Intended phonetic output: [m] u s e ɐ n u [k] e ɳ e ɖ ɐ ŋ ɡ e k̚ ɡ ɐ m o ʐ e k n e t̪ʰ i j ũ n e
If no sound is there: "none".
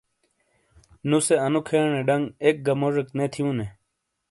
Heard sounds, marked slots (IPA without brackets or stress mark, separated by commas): n, kʰ